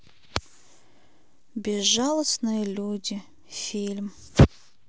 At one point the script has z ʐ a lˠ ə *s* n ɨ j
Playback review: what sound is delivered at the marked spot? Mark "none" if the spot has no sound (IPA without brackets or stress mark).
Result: s